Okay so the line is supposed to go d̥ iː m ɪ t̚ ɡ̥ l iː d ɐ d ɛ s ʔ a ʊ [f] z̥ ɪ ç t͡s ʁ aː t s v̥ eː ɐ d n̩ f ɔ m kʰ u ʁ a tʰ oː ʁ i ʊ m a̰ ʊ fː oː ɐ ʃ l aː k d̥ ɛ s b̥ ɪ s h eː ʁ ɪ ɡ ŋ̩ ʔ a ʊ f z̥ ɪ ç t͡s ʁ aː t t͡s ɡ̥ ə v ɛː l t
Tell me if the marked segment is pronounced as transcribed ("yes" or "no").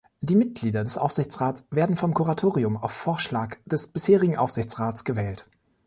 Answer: yes